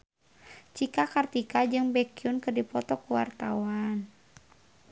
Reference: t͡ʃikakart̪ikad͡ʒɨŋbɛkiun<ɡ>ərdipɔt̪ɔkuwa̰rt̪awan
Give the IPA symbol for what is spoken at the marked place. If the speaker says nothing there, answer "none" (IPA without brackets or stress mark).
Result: k